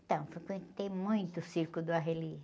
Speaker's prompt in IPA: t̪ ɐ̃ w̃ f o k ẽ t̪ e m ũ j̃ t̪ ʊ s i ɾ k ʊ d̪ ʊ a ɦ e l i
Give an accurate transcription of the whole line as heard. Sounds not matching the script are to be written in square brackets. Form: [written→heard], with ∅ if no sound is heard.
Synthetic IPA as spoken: t̪ ɐ̃ w̃ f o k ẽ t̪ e m ũ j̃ t̪ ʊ s i ɾ k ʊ d̪ ʊ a ɦ e l i